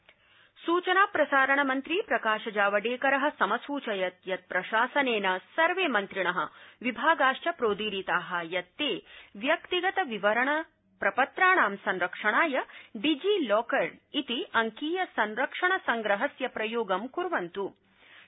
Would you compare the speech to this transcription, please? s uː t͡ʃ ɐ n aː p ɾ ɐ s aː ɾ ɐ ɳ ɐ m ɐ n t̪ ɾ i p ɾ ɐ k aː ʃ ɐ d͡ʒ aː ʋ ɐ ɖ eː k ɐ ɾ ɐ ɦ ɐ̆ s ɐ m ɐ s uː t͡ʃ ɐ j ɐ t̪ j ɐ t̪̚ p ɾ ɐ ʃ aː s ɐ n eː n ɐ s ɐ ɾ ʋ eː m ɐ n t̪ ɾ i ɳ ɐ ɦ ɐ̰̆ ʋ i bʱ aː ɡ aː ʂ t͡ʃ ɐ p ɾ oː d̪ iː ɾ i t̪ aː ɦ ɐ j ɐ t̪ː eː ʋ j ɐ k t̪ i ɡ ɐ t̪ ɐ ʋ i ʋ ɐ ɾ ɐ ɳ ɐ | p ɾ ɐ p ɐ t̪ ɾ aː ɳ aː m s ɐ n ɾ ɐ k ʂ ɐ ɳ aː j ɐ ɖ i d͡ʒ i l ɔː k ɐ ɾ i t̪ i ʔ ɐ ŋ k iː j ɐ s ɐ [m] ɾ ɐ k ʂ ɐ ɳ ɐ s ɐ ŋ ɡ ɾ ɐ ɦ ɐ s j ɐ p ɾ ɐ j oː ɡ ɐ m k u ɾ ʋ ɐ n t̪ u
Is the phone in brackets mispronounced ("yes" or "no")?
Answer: yes